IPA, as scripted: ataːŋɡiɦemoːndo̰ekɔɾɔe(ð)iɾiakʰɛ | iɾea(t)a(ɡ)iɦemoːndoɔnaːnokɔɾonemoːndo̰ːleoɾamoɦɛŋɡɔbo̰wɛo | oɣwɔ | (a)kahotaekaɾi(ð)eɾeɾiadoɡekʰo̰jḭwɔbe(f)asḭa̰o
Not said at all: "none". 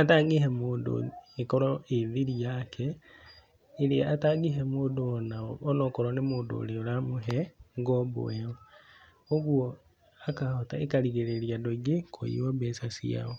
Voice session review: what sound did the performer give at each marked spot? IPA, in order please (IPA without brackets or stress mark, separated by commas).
ð, t, ɡ, a, ɣ, s